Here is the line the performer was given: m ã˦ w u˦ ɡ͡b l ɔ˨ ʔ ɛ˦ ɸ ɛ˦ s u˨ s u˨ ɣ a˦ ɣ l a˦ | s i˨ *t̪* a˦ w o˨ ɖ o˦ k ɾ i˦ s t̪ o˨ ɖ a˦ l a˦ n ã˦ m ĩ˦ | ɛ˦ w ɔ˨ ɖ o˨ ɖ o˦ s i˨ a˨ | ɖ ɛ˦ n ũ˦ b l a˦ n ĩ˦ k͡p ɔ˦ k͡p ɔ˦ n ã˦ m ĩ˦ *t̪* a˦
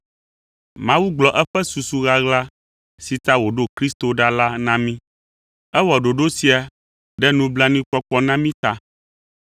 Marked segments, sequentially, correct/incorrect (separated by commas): correct, correct